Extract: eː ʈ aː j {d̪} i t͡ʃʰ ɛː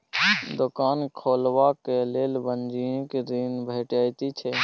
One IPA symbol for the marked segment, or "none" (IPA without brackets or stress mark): t̪